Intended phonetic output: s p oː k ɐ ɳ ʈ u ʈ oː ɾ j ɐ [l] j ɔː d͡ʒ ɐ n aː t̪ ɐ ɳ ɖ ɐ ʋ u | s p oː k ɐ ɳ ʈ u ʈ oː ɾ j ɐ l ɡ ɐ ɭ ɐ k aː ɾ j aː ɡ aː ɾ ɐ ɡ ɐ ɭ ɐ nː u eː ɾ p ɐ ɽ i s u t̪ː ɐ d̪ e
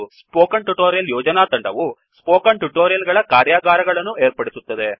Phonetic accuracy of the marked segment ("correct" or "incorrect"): correct